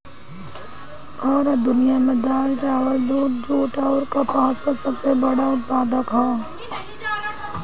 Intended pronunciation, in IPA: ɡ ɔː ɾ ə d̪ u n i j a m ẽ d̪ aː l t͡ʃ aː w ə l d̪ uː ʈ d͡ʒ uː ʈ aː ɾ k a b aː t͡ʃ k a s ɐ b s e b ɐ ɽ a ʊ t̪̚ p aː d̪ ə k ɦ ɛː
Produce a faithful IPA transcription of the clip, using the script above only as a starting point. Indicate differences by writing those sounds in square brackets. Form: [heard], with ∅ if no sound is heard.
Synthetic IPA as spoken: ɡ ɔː ɾ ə d̪ [ʊ] n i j a m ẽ d̪ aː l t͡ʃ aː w ə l d̪ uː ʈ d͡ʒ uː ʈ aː ɾ k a [p] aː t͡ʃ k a s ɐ b s e b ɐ ɽ a ʊ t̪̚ p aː d̪ ə k ɦ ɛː